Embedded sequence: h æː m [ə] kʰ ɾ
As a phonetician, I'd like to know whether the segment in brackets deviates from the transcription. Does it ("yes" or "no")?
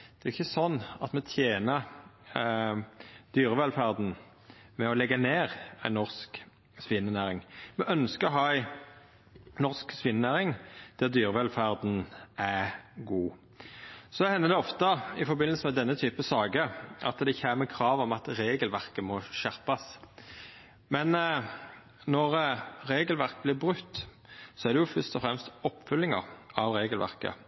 no